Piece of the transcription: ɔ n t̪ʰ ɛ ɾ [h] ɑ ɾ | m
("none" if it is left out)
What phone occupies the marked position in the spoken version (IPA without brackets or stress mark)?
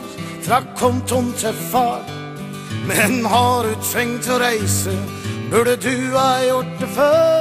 f